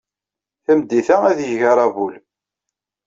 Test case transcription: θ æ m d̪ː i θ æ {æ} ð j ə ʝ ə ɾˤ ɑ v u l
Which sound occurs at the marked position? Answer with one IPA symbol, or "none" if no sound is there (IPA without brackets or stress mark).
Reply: æ